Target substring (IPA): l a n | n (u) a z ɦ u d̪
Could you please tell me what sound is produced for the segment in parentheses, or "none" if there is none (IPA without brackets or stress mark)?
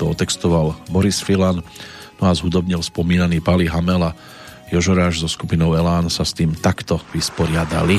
ɔ